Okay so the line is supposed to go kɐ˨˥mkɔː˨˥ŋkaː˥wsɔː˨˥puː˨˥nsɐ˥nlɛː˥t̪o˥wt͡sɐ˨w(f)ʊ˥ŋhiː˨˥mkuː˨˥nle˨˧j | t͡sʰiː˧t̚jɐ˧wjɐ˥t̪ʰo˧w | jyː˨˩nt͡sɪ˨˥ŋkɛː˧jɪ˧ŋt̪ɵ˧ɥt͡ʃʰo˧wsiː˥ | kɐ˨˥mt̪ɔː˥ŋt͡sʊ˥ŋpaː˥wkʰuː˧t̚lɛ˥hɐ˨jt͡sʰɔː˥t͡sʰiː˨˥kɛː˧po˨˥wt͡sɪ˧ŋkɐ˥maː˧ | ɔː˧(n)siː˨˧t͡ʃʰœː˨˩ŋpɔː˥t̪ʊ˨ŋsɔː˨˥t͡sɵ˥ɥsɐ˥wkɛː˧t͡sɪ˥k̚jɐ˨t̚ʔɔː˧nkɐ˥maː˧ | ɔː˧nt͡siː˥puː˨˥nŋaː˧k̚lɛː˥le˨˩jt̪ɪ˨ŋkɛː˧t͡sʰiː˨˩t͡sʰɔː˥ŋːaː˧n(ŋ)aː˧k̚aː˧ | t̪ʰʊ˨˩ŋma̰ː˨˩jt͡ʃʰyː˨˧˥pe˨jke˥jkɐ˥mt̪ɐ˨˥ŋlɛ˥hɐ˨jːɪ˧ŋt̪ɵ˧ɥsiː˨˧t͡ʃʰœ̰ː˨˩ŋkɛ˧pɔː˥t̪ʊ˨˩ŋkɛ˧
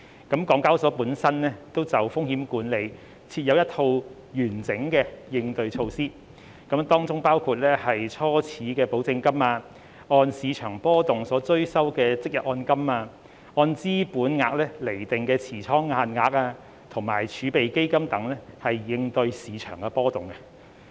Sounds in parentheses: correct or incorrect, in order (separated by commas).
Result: correct, correct, correct